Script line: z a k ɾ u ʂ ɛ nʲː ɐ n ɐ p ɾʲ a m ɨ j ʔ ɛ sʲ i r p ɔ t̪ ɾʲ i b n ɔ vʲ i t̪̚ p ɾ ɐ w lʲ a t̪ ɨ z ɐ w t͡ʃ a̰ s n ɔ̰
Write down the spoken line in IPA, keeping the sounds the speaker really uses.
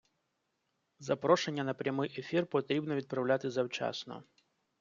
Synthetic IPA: z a p ɾ ɔ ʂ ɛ nʲː ɐ n ɐ p ɾʲ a m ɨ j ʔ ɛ fʲ i r p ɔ t̪ ɾʲ i b n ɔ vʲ i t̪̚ p ɾ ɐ w lʲ a t̪ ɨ z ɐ w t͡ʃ a̰ s n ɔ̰